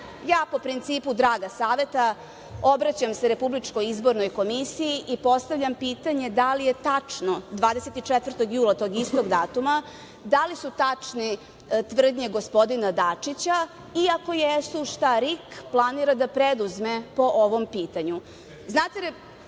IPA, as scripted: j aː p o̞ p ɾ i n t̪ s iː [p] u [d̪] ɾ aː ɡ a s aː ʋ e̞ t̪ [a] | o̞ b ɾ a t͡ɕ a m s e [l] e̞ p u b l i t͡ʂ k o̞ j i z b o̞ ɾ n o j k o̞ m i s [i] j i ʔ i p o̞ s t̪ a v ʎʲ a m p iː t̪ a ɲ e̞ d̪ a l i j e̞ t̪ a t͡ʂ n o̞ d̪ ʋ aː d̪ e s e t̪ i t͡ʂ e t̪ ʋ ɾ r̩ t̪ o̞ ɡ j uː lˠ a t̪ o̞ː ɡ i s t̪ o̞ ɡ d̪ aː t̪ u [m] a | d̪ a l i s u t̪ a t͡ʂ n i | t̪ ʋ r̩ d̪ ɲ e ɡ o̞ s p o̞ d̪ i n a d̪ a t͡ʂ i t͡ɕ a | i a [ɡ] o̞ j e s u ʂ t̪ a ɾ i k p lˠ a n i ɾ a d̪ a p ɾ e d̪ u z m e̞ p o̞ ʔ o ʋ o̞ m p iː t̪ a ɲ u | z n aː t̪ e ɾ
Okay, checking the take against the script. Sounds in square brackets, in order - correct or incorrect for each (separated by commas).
correct, correct, correct, incorrect, correct, correct, incorrect